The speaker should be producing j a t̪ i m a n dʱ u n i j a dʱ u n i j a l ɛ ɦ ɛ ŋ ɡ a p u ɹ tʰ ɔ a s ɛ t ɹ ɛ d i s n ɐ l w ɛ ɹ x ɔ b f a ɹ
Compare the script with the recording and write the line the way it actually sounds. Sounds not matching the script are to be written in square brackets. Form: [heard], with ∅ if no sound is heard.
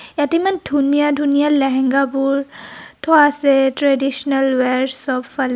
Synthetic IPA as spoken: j a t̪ i m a n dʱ u n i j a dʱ u n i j a l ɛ ɦ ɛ ŋ ɡ a p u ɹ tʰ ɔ a s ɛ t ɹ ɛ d i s n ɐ l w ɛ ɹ [s] ɔ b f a [l]